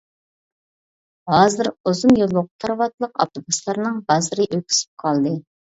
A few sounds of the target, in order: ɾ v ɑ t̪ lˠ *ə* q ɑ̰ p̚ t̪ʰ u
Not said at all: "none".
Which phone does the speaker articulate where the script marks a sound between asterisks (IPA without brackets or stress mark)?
ə